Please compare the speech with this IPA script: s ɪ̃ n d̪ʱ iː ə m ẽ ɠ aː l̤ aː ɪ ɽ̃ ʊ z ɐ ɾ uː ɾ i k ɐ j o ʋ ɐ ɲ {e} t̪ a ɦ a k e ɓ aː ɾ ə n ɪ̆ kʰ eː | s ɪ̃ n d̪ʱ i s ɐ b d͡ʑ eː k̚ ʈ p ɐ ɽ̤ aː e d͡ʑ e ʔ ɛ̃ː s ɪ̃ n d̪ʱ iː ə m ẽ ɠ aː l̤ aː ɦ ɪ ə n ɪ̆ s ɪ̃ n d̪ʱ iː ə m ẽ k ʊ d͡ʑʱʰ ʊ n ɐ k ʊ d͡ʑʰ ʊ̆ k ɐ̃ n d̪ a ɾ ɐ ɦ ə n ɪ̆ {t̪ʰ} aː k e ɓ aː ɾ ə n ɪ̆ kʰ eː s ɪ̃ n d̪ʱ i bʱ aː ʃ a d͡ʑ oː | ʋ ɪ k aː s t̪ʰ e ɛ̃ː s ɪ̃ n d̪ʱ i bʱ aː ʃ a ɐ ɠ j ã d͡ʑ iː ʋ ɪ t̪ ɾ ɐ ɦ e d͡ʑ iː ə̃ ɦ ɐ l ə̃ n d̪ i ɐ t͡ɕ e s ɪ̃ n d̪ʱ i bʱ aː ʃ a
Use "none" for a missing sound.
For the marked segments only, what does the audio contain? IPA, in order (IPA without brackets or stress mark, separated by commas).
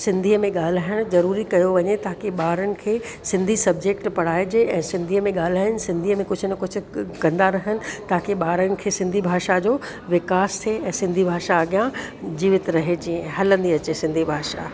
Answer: e, t̪